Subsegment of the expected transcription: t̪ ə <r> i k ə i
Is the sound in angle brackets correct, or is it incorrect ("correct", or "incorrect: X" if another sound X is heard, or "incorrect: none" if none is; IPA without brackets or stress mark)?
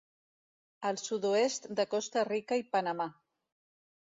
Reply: correct